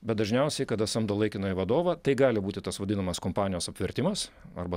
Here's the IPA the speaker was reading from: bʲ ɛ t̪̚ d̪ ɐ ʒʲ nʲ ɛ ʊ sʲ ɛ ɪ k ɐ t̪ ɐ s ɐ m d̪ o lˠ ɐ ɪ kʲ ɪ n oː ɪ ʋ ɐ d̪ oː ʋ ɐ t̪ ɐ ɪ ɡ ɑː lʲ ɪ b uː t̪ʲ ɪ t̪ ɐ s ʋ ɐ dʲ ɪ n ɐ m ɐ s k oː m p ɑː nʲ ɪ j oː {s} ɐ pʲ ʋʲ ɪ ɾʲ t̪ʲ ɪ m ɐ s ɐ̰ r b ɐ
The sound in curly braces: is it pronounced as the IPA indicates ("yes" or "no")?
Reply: yes